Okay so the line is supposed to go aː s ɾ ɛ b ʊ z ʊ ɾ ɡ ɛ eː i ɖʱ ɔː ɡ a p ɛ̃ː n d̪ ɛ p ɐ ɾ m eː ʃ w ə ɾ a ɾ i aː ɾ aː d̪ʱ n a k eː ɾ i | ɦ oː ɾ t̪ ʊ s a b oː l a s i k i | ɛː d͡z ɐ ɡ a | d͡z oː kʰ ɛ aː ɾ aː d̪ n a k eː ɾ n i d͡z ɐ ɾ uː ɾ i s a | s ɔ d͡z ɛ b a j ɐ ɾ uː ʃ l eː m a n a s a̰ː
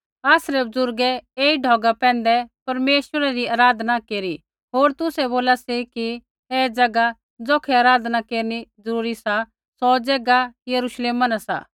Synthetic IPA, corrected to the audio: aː s ɾ ɛ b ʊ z ʊ ɾ ɡ ɛ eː i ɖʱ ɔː ɡ a p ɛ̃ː n d̪ ɛ p ɐ ɾ m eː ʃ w ə ɾ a ɾ i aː ɾ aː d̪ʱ n a k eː ɾ i | ɦ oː ɾ t̪ ʊ s ɛ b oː l a s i k i | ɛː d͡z ɐ ɡ a | d͡z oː kʰ ɛ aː ɾ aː d̪ n a k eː ɾ n i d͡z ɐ ɾ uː ɾ i s a | s ɔ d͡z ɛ ɡ a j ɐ ɾ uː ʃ l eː m a n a s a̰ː

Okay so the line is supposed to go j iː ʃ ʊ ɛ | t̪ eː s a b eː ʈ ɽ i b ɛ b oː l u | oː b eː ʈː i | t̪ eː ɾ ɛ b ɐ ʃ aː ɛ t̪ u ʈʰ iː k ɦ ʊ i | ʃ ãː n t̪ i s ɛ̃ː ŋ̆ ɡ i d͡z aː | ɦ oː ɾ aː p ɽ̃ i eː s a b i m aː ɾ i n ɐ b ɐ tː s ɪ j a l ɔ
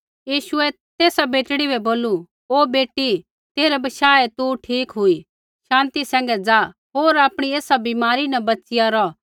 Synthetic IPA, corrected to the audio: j iː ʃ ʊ ɛ | t̪ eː s a b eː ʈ ɽ i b ɛ b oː l u | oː b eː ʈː i | t̪ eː ɾ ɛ b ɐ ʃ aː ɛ t̪ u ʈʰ iː k ɦ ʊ i | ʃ ãː n t̪ i s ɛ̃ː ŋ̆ ɡ ɛ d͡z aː | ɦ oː ɾ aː p ɽ̃ i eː s a b i m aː ɾ i n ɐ b ɐ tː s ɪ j a ɾ ɔ

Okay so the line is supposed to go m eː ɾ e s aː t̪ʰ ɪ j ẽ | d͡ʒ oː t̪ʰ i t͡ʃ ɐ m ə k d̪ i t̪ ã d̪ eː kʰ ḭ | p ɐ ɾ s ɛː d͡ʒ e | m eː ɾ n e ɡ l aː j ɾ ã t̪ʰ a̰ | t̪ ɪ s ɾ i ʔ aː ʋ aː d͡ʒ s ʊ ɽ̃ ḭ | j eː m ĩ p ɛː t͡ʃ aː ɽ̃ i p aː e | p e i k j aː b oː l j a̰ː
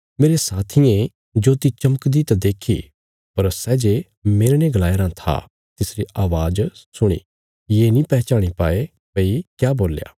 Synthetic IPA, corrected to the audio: m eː ɾ e s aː t̪ʰ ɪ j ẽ | d͡ʒ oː t̪ i t͡ʃ ɐ m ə k d̪ i t̪ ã d̪ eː kʰ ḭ | p ɐ ɾ s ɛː d͡ʒ e | m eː ɾ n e ɡ l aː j ɾ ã t̪ʰ a̰ | t̪ ɪ s ɾ i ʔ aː ʋ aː d͡ʒ s ʊ ɽ̃ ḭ | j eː n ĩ p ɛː t͡ʃ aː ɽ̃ i p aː e | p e i k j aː b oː l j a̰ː

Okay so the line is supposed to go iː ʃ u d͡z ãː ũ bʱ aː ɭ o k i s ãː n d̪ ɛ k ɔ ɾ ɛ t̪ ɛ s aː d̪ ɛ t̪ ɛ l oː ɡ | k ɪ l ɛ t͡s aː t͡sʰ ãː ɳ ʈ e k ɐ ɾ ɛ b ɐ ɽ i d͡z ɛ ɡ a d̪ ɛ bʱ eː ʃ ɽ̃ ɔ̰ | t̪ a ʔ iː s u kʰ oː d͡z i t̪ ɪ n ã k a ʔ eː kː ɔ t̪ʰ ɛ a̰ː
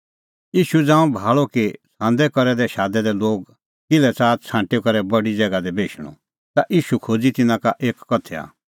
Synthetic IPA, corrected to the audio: iː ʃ u d͡z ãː ũ bʱ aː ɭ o k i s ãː n d̪ ɛ k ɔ ɾ ɛ d̪ ɛ ʃ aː d̪ ɛ d̪ ɛ l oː ɡ | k ɪ l ɛ t͡s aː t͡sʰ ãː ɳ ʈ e k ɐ ɾ ɛ b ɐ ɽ i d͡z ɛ ɡ a d̪ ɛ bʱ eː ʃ ɽ̃ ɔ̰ | t̪ a ʔ iː ʃ u kʰ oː d͡z i t̪ ɪ n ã k a ʔ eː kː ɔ t̪ʰ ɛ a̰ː

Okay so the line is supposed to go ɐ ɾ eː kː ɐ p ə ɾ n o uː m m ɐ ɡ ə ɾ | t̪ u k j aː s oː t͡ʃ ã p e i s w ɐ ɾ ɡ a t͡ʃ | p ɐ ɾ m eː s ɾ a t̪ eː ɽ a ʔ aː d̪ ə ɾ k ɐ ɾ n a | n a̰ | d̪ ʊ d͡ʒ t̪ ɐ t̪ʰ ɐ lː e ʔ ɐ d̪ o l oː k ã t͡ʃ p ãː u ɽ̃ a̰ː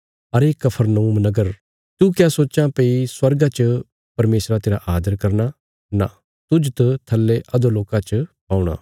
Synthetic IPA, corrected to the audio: ɐ ɾ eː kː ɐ pʰ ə ɾ n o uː m n ɐ ɡ ə ɾ | t̪ u k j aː s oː t͡ʃ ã p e i s w ɐ ɾ ɡ a t͡ʃ | p ɐ ɾ m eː s ɾ a t̪ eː ɾ a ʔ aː d̪ ə ɾ k ɐ ɾ n a | n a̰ | t̪ ʊ d͡ʒ t̪ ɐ t̪ʰ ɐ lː e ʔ ɐ d̪ o l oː k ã t͡ʃ p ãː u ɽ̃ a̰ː

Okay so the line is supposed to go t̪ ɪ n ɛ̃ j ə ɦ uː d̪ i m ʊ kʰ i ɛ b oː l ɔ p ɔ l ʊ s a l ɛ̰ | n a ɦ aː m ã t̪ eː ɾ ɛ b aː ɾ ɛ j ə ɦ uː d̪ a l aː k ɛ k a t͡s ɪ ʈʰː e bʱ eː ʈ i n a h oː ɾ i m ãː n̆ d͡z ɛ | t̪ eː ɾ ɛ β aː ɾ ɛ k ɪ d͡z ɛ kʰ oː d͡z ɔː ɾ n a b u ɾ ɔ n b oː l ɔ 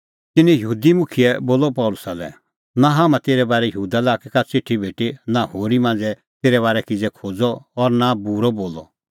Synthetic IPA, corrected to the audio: t̪ ɪ n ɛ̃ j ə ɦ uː d̪ i m ʊ kʰ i ɛ b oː l ɔ p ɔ l ʊ s a l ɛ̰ | n a ɦ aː m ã t̪ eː ɾ ɛ b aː ɾ ɛ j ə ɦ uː d̪ a l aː k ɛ k a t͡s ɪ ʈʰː i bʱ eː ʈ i n a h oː ɾ i m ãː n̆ d͡z ɛ | t̪ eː ɾ ɛ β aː ɾ ɛ k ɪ d͡z ɛ kʰ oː d͡z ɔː ɾ n a b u ɾ ɔ b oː l ɔ

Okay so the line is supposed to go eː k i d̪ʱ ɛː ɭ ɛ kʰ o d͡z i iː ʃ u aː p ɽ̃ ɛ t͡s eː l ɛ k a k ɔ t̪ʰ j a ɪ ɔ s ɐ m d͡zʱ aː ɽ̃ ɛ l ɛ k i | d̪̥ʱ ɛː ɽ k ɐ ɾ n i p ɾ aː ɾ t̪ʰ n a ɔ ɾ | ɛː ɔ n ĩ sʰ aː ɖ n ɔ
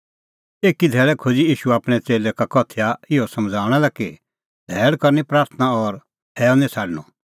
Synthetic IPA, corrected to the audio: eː k i d̪ʱ ɛː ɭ ɛ kʰ o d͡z i iː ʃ u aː p ɽ̃ ɛ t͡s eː l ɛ k a k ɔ t̪ʰ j a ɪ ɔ s ɐ m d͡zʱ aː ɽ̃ ɛ l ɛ k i | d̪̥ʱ ɛː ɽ k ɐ ɾ n i p ɾ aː ɾ t̪ʰ n a ɔ ɾ | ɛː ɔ n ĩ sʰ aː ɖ n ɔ

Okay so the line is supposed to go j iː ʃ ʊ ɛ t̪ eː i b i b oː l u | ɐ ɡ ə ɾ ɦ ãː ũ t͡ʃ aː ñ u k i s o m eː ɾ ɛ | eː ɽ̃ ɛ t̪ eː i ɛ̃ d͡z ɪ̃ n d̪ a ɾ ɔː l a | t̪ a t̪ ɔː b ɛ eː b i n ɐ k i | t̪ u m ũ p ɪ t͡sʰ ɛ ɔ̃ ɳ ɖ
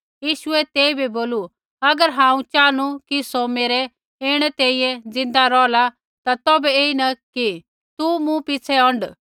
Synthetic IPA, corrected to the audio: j iː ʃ ʊ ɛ t̪ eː i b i b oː l u | ɐ ɡ ə ɾ ɦ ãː ũ t͡ʃ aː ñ u k i s o m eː ɾ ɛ | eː ɽ̃ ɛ t̪ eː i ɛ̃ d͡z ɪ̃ n d̪ a ɾ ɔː l a | t̪ a t̪ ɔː b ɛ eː i n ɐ k i | t̪ u m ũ p ɪ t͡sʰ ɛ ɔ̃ ɳ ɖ

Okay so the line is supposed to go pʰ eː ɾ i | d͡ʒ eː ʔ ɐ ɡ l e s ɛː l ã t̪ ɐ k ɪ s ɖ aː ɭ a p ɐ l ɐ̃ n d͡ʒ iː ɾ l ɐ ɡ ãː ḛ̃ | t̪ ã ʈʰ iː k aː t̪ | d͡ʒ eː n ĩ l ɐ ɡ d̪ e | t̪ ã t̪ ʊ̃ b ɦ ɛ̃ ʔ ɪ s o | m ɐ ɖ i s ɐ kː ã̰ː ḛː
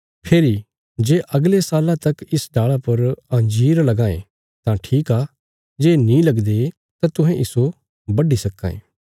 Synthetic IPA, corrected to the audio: pʰ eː ɾ i | d͡ʒ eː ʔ ɐ ɡ l e s aː l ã t̪ ɐ k ɪ s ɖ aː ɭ a p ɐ ɾ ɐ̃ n d͡ʒ iː ɾ l ɐ ɡ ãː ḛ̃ | t̪ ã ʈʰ iː k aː | d͡ʒ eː n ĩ l ɐ ɡ d̪ e | t̪ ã t̪ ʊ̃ ɦ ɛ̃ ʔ ɪ s o | b ɐ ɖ i s ɐ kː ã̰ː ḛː

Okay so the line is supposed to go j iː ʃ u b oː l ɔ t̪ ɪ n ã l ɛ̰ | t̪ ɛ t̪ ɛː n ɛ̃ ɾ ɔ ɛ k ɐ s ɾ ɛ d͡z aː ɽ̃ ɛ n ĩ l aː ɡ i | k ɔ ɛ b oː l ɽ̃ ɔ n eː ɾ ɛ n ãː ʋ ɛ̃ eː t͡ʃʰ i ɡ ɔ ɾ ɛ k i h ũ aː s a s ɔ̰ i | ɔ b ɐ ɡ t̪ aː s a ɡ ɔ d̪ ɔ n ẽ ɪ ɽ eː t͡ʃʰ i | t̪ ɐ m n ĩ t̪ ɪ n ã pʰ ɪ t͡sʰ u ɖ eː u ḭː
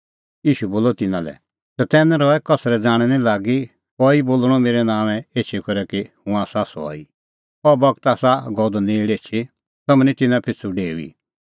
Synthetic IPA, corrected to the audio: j iː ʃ u b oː l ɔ t̪ ɪ n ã l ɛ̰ | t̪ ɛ t̪ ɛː n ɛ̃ ɾ ɔ ɛ k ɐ s ɾ ɛ d͡z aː ɽ̃ ɛ n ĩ l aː ɡ i | k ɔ i b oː l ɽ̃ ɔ m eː ɾ ɛ n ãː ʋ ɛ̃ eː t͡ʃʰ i k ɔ ɾ ɛ k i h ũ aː s a s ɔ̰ i | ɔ b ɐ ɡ t̪ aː s a ɡ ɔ d̪ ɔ n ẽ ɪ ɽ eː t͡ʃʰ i | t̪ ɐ m n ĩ t̪ ɪ n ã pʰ ɪ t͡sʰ u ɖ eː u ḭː

